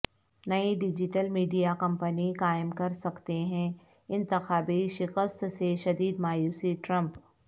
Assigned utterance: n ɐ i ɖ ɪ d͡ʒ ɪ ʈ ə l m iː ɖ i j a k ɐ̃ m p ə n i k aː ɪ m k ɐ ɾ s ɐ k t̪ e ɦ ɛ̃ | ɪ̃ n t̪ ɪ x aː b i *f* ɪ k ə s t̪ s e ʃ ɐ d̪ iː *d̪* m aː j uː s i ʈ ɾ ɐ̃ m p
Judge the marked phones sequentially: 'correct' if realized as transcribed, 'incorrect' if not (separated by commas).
incorrect, correct